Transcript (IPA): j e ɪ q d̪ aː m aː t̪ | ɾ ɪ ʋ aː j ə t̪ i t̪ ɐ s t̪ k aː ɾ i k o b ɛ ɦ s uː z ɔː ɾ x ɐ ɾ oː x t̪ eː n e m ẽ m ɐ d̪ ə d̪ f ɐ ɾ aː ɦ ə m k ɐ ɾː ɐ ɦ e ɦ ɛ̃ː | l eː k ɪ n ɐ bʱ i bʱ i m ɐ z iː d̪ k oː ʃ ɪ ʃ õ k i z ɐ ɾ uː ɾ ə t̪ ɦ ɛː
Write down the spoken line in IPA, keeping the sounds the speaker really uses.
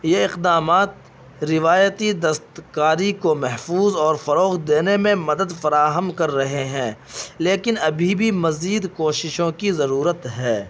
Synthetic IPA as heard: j e ɪ q d̪ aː m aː t̪ | ɾ ɪ ʋ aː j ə t̪ i d̪ ɐ s t̪ k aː ɾ i k o m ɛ ɦ f uː z ɔː ɾ f ɐ ɾ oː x d̪ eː n e m ẽ m ɐ d̪ ə d̪ f ɐ ɾ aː ɦ ə m k ɐ ɾː ɐ ɦ e ɦ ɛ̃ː | l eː k ɪ n ɐ bʱ i bʱ i m ɐ z iː d̪ k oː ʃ ɪ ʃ õ k i z ɐ ɾ uː ɾ ə t̪ ɦ ɛː